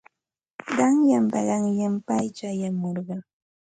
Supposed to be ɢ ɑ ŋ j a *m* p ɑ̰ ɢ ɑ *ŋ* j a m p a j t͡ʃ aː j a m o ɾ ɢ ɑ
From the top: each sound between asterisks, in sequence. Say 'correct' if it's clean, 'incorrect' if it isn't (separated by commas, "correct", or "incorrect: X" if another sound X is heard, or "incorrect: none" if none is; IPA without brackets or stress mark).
correct, correct